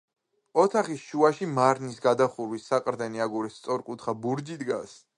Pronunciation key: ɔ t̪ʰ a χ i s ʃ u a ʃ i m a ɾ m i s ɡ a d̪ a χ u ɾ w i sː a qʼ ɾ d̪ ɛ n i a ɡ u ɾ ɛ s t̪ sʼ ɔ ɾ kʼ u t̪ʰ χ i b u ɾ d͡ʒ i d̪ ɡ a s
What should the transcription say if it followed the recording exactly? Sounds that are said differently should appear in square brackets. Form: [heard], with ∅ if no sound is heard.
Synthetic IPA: ɔ t̪ʰ a χ i s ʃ u a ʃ i m a ɾ [n] i s ɡ a d̪ a χ u ɾ w i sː a qʼ ɾ d̪ ɛ n i a ɡ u ɾ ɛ s t̪ sʼ ɔ ɾ kʼ u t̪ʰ χ [a] b u ɾ d͡ʒ i d̪ ɡ a s